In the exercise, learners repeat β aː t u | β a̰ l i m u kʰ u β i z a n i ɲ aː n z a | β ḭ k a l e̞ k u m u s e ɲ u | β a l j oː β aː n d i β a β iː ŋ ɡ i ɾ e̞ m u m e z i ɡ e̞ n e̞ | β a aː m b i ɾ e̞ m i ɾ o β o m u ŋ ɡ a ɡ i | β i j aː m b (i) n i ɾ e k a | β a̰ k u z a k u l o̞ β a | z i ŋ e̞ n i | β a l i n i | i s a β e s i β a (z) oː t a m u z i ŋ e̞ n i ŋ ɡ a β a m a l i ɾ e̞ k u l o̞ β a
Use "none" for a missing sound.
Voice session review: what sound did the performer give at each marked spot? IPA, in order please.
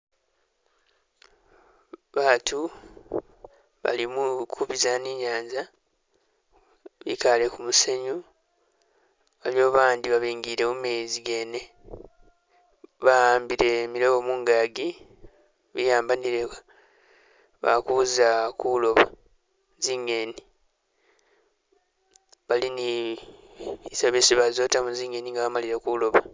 a, z

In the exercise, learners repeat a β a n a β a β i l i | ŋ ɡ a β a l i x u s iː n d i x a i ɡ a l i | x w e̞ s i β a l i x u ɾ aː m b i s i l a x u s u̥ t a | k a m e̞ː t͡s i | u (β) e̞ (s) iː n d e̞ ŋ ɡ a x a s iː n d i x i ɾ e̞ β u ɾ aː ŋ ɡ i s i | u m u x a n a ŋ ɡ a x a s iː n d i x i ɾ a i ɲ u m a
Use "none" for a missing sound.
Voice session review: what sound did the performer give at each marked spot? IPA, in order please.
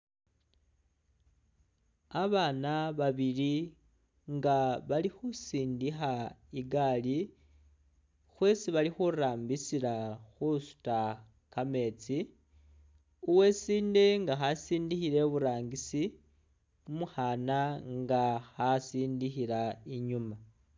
w, s

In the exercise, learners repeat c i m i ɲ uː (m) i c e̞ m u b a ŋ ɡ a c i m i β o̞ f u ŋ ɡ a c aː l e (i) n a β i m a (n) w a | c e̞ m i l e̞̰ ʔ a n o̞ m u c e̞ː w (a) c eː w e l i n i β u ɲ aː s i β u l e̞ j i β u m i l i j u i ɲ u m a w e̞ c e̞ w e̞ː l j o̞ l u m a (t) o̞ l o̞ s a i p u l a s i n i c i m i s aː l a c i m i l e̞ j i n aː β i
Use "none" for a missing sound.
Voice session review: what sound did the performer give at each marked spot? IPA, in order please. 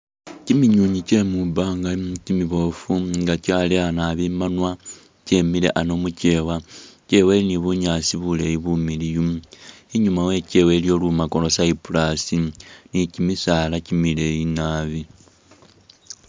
ɲ, a, n, a, k

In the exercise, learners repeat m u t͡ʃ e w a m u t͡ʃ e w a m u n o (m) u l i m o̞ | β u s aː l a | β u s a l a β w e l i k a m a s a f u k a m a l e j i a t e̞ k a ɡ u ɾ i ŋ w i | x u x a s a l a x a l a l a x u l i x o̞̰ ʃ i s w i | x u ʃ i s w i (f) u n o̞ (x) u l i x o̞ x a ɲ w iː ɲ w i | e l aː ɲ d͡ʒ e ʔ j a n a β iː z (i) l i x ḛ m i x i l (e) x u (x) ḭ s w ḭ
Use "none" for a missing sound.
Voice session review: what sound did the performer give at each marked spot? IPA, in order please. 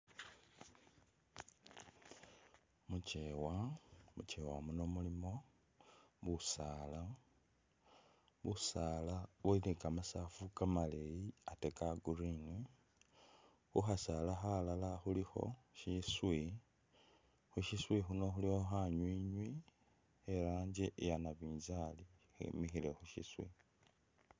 m, x, x, a, e, ʃ

